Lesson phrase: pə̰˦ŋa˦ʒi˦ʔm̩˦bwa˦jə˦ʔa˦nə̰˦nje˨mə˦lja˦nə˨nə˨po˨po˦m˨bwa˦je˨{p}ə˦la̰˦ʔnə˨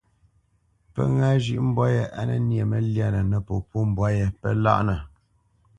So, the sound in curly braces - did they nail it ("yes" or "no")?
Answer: yes